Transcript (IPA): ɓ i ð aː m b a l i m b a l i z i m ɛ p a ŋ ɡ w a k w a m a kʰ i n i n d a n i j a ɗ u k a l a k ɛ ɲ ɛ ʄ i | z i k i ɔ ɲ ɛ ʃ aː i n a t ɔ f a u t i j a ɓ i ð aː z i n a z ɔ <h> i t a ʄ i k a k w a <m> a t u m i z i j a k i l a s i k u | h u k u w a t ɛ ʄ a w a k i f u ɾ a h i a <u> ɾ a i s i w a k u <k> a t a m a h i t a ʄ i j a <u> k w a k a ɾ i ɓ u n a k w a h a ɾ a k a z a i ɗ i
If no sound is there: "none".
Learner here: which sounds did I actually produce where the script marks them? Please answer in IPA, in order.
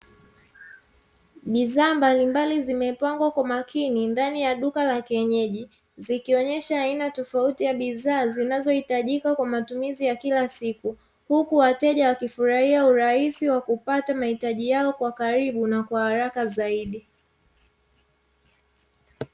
h, m, u, p, ɔ

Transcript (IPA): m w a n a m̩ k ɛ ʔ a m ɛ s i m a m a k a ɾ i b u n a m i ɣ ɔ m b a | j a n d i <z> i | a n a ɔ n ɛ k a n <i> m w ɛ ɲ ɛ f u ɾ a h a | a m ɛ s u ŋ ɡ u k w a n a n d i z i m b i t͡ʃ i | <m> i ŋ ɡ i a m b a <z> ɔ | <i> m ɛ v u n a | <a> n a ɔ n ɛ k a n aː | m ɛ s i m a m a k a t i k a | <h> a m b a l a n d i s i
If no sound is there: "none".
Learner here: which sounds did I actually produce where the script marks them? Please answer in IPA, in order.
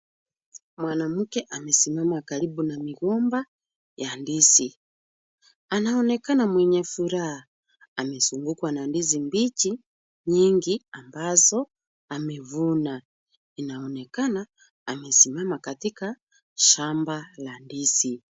s, a, ɲ, z, a, i, ʃ

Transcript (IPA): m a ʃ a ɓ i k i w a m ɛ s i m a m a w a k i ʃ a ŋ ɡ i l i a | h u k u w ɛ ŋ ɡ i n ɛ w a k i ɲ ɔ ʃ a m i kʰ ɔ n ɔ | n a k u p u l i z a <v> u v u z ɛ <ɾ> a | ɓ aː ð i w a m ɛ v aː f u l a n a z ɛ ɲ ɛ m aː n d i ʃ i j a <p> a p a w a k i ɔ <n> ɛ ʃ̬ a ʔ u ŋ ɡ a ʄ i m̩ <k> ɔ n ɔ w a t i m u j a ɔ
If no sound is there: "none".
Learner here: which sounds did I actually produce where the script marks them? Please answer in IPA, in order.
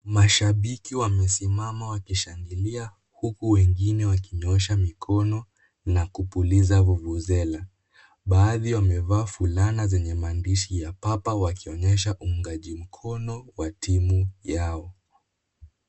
v, l, p, ɲ, kʰ

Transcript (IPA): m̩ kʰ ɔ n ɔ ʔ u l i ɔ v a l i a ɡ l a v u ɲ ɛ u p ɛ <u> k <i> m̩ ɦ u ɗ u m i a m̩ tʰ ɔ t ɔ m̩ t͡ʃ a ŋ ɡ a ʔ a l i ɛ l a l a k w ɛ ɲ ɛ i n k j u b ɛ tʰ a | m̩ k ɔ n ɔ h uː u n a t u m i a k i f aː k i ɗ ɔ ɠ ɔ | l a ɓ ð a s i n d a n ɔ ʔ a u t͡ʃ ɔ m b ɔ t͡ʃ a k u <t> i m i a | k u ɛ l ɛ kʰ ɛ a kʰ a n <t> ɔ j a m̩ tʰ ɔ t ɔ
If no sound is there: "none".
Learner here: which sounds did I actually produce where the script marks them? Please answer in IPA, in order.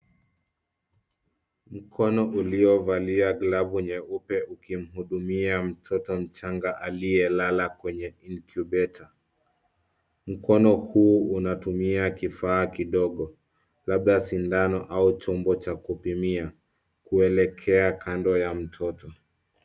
u, i, p, d

